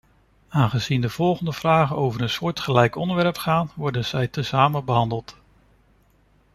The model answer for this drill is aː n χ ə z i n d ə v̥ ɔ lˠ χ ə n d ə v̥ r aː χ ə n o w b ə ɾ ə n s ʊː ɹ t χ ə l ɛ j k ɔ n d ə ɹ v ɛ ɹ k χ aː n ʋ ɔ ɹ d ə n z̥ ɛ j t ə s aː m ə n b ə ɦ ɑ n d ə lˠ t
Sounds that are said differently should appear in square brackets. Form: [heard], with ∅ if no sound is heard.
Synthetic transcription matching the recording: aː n χ ə z i n d ə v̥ ɔ lˠ χ ə n d ə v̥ r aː χ ə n o w [v] ə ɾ ə n s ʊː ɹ t χ ə l ɛ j k ɔ n d ə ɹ [ʋ] ɛ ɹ [p] χ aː n ʋ ɔ ɹ d ə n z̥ ɛ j t ə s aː m ə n b ə ɦ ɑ n d ə lˠ t